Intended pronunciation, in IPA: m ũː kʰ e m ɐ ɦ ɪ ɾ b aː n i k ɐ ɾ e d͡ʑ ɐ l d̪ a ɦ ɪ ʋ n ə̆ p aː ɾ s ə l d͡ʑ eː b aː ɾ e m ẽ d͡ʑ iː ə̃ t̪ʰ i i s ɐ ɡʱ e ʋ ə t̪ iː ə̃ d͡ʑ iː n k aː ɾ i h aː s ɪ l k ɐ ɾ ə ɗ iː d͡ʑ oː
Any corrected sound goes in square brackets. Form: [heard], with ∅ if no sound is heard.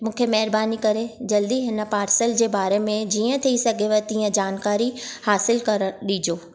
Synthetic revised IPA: m ũː kʰ e m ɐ ɦ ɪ ɾ b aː n i k ɐ ɾ e d͡ʑ ɐ l d̪ [i] ɦ ɪ [∅] n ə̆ p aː ɾ s ə l d͡ʑ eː b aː ɾ e m ẽ d͡ʑ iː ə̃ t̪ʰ i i s ɐ ɡʱ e ʋ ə t̪ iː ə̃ d͡ʑ [aː] n k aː ɾ i h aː s ɪ l k ɐ ɾ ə ɗ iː d͡ʑ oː